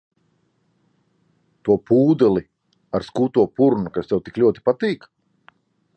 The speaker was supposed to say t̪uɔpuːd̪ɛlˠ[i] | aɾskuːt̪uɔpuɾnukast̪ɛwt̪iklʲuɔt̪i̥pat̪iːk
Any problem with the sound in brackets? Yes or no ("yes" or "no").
no